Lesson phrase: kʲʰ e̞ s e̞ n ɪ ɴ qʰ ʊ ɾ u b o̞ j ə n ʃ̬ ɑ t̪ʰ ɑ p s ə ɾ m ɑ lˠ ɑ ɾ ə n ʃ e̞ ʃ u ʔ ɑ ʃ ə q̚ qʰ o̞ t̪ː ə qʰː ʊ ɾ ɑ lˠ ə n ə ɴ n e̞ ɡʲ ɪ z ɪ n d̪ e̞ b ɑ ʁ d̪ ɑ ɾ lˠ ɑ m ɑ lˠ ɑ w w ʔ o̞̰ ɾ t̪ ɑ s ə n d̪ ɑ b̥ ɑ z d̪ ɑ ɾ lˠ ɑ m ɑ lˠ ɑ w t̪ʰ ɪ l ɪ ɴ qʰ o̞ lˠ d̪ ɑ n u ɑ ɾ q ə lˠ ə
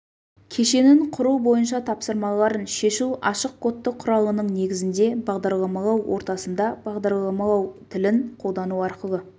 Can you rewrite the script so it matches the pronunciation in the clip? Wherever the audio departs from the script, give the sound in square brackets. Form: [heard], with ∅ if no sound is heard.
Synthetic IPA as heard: kʲʰ e̞ [ʃ] e̞ n ɪ ɴ qʰ ʊ ɾ u b o̞ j ə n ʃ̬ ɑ t̪ʰ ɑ p s ə ɾ m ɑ lˠ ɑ ɾ ə n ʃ e̞ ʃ u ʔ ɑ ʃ ə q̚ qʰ o̞ t̪ː ə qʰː ʊ ɾ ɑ lˠ ə n ə ɴ n e̞ ɡʲ ɪ z ɪ n d̪ e̞ b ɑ ʁ d̪ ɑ ɾ lˠ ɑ m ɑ lˠ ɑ w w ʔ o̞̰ ɾ t̪ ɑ s ə n d̪ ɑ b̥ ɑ [ʁ] d̪ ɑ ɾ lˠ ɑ m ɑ lˠ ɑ w t̪ʰ ɪ l ɪ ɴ qʰ o̞ lˠ d̪ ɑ n u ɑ ɾ q ə lˠ ə

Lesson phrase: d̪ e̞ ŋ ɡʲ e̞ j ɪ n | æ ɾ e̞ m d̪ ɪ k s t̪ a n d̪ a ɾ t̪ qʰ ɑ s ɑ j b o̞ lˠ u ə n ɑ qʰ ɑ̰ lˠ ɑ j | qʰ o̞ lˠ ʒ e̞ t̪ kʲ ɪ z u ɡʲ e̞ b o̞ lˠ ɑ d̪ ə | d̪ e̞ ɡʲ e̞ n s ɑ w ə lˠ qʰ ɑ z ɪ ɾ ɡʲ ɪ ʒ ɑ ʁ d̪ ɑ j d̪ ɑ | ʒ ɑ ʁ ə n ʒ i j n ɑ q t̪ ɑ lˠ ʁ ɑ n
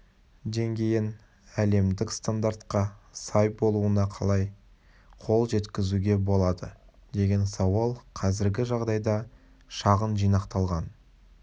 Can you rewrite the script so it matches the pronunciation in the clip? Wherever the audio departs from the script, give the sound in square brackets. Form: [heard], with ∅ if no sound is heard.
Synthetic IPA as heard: d̪ e̞ ŋ ɡʲ e̞ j ɪ n | æ [l] e̞ m d̪ ɪ k s t̪ a n d̪ a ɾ t̪ [q] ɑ s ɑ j b o̞ lˠ u ə n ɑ qʰ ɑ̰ lˠ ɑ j | qʰ o̞ lˠ ʒ e̞ t̪ kʲ ɪ z u ɡʲ e̞ b o̞ lˠ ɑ d̪ ə | d̪ e̞ ɡʲ e̞ n s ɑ w [ɑ] lˠ qʰ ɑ z ɪ ɾ ɡʲ ɪ ʒ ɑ ʁ d̪ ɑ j d̪ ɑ | [ʃ] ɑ ʁ ə n ʒ i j n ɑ q t̪ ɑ lˠ ʁ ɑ n

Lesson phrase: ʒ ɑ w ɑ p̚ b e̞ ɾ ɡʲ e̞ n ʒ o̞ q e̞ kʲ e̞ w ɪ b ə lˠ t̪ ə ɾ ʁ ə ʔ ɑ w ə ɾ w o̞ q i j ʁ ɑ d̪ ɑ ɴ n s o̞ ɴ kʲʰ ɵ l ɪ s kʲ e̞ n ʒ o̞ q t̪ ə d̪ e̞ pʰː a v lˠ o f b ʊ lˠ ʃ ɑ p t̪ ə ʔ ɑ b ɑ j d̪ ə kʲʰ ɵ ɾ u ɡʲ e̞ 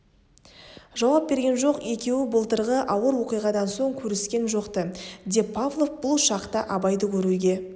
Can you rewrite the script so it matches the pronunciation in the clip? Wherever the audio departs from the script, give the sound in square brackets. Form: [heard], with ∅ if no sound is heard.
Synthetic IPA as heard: ʒ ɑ w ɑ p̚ b e̞ ɾ ɡʲ e̞ n ʒ o̞ q e̞ kʲ e̞ w ɪ b ə lˠ t̪ ə ɾ ʁ ə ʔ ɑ w ə ɾ w o̞ q i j ʁ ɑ d̪ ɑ [∅] n s o̞ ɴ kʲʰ ɵ [ɾ] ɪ s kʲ e̞ n ʒ o̞ q t̪ ə d̪ e̞ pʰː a v lˠ o f b ʊ lˠ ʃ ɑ [q] t̪ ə ʔ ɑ b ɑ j d̪ ə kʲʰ ɵ ɾ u ɡʲ e̞

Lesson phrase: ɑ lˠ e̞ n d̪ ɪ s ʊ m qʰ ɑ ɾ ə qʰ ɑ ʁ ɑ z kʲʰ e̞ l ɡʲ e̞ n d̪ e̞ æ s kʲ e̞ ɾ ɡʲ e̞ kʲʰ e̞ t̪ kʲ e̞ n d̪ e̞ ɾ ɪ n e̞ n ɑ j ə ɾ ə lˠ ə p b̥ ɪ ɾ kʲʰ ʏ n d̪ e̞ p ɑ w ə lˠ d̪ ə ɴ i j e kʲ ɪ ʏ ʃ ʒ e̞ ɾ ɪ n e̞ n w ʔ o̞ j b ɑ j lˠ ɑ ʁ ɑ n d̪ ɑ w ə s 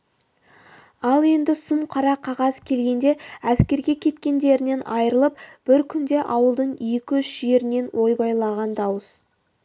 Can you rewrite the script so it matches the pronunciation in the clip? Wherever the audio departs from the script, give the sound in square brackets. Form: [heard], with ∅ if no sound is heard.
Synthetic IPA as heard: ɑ lˠ e̞ n d̪ ɪ s ʊ m qʰ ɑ ɾ [ɑ] qʰ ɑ ʁ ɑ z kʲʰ e̞ l ɡʲ e̞ n d̪ e̞ æ s kʲ e̞ ɾ ɡʲ e̞ kʲʰ e̞ t̪ kʲ e̞ n d̪ e̞ ɾ ɪ n e̞ n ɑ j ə ɾ ə lˠ ə p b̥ ɪ ɾ kʲʰ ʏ n d̪ e̞ [ʔ] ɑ w ə lˠ d̪ ə ɴ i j e kʲ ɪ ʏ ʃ ʒ e̞ ɾ ɪ n e̞ n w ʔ o̞ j b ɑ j lˠ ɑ ʁ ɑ n d̪ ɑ w ə s

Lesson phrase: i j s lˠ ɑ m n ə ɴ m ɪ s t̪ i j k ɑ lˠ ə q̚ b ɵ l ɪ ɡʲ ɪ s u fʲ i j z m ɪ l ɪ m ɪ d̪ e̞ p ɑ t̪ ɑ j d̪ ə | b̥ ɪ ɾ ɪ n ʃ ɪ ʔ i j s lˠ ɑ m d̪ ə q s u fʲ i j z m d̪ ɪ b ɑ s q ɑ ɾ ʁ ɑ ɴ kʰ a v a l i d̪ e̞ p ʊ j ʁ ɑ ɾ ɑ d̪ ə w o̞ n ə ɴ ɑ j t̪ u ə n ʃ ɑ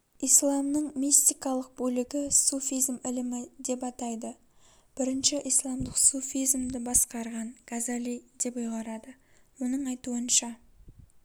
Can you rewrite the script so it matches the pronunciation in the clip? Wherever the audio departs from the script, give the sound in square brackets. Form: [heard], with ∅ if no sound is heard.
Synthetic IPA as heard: i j s lˠ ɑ m n ə ɴ m [i] s t̪ i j k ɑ lˠ ə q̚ b ɵ l ɪ ɡʲ ɪ s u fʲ i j z m ɪ l ɪ m ɪ d̪ e̞ p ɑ t̪ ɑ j d̪ ə | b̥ ɪ ɾ ɪ n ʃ ɪ ʔ i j s lˠ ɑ m d̪ ə q s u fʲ i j z m d̪ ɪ b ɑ s q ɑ ɾ ʁ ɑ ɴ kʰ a [z] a l i d̪ e̞ p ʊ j ʁ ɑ ɾ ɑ d̪ ə w o̞ n ə ɴ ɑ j t̪ u ə n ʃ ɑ

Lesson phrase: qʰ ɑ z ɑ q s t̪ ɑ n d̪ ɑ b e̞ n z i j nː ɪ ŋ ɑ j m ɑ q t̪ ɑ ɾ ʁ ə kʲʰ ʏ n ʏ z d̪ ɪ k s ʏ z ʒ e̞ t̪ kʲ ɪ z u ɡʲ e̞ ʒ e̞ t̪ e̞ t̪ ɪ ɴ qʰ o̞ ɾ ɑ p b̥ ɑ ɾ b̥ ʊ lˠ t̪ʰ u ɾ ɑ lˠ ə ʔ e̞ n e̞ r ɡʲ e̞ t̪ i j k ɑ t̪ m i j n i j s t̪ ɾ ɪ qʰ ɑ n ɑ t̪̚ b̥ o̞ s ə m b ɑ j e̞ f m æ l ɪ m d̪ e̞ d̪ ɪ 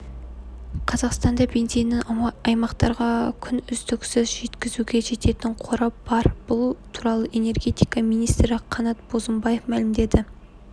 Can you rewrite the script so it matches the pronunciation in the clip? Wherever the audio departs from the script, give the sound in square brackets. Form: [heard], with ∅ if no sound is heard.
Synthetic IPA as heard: qʰ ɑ z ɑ q s t̪ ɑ n d̪ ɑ b e̞ n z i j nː ɪ ŋ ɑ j m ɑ q t̪ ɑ ɾ ʁ [ɑ] kʲʰ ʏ n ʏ z d̪ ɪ k s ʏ z ʒ e̞ t̪ kʲ ɪ z u ɡʲ e̞ ʒ e̞ t̪ e̞ t̪ ɪ ɴ qʰ o̞ ɾ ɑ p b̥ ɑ ɾ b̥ ʊ lˠ t̪ʰ u ɾ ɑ lˠ ə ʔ e̞ n e̞ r ɡʲ e̞ t̪ i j k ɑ [∅] m i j n i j s t̪ ɾ ɪ qʰ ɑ n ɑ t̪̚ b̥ o̞ [z] ə m b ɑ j e̞ f m æ l ɪ m d̪ e̞ d̪ ɪ

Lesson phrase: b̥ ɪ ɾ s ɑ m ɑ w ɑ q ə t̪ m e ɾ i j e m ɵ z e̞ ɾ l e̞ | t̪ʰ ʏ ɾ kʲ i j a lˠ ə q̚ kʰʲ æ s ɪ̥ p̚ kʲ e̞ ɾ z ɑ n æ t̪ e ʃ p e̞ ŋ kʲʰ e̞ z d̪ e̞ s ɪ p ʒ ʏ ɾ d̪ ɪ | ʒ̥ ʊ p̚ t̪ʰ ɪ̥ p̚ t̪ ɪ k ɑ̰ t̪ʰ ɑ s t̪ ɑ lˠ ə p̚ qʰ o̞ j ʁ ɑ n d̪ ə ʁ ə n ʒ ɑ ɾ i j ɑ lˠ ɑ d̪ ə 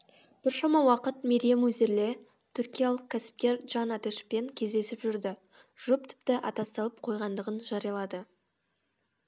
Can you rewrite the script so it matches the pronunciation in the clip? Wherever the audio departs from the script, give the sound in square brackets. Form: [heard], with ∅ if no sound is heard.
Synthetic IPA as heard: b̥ ɪ ɾ [ʃ] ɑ m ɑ w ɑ q ə t̪ m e ɾ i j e m ɵ z e̞ ɾ l e̞ | t̪ʰ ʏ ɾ kʲ i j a lˠ ə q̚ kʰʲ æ s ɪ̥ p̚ kʲ e̞ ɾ [ʒ] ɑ n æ t̪ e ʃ p e̞ ŋ kʲʰ e̞ z d̪ e̞ s ɪ p ʒ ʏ ɾ d̪ ɪ | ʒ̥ ʊ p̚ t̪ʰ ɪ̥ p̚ t̪ ɪ [ʔ] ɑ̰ [t̪] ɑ s t̪ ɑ lˠ ə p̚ qʰ o̞ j ʁ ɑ n d̪ ə ʁ ə n ʒ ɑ ɾ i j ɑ lˠ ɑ d̪ ə

